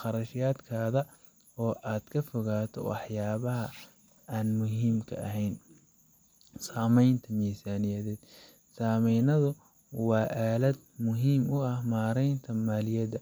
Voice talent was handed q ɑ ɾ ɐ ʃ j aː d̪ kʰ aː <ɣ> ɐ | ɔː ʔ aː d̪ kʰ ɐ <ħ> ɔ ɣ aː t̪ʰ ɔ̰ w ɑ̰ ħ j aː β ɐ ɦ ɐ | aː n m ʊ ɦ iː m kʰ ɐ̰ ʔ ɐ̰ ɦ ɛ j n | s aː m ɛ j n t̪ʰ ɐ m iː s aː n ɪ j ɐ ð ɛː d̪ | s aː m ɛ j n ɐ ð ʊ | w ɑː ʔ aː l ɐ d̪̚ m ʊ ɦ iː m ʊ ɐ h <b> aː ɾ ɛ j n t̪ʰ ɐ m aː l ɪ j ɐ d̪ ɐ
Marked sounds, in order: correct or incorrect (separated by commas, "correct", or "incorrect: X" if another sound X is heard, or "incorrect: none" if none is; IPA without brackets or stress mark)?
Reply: incorrect: ð, incorrect: f, incorrect: m